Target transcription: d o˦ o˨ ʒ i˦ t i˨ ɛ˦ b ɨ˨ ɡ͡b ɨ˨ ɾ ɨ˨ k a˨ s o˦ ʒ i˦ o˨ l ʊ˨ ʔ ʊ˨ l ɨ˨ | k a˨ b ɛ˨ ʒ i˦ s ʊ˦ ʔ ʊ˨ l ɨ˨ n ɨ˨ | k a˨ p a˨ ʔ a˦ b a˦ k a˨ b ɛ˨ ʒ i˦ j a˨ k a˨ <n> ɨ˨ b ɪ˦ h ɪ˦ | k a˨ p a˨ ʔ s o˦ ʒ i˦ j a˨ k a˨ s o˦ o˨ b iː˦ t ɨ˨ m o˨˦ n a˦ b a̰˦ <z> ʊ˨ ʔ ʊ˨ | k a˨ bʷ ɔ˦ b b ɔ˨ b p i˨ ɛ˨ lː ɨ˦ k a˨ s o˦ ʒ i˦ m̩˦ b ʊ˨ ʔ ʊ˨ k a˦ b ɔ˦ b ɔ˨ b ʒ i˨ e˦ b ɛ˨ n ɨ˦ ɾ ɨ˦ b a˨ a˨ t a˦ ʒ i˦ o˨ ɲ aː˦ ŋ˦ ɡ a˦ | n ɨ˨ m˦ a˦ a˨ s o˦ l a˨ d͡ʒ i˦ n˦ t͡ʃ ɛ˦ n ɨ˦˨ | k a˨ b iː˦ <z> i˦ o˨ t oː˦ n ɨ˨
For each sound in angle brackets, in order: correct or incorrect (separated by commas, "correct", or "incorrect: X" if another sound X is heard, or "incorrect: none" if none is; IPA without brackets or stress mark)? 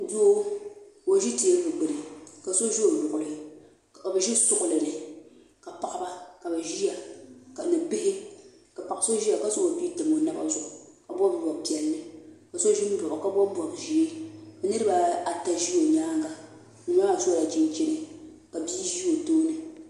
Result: correct, correct, incorrect: ʒ